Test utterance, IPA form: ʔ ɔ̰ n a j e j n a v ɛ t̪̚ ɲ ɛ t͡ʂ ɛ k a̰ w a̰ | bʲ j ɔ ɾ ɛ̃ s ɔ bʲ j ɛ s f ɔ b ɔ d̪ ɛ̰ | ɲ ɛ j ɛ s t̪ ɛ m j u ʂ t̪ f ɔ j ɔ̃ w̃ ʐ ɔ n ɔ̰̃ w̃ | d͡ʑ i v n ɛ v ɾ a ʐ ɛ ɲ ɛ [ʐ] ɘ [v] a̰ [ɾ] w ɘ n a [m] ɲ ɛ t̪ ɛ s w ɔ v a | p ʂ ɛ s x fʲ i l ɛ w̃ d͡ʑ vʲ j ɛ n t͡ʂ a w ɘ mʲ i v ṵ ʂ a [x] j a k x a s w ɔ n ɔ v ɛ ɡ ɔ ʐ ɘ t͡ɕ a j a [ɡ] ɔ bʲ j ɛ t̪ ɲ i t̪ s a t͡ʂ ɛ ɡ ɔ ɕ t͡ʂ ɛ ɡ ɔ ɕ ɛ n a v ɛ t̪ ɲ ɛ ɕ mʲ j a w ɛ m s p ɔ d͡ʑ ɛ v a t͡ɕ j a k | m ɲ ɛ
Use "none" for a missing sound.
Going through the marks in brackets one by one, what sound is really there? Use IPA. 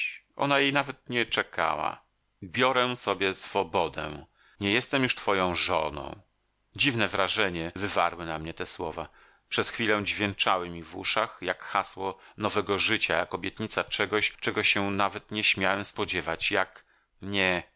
v, v, ɾ, m, x, k

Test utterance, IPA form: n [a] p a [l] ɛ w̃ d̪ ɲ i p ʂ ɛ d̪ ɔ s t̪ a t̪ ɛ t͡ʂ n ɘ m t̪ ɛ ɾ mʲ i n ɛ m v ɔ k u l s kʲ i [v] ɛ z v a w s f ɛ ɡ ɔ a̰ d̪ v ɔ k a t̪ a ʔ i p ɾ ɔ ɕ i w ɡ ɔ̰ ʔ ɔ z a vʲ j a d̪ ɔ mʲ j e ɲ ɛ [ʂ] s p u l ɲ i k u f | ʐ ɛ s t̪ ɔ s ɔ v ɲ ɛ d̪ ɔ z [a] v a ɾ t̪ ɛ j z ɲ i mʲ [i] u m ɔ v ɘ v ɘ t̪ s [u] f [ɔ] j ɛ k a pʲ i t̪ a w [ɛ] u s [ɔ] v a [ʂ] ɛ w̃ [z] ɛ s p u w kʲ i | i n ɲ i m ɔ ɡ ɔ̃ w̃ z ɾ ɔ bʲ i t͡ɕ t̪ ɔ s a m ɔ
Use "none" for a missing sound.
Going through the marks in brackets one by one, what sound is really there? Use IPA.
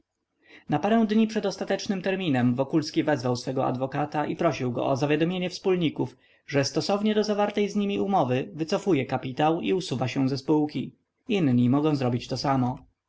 a, ɾ, v, f, a, i, ɔ, u, i, u, ɕ, z

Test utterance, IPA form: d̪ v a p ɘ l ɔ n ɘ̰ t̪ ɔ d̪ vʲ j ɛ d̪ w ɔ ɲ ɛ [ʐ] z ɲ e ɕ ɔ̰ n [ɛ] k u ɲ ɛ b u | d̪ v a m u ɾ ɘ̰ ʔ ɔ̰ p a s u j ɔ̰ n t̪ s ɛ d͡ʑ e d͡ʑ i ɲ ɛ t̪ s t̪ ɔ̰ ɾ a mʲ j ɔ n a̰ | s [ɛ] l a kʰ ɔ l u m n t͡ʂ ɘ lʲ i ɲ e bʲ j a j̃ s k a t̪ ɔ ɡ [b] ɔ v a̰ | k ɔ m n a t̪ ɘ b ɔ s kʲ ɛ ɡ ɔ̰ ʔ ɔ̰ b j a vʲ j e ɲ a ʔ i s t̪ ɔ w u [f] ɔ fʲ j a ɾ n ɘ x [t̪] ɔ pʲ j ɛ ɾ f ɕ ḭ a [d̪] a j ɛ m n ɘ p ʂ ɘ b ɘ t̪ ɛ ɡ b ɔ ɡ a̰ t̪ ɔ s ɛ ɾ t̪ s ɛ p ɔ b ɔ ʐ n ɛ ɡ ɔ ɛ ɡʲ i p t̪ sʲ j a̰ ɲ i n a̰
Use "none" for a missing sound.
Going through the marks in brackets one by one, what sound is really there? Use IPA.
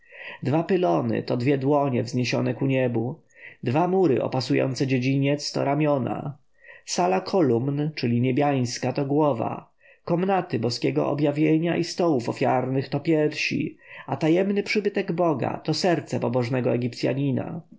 v, ɛ, a, w, f, t̪, t̪

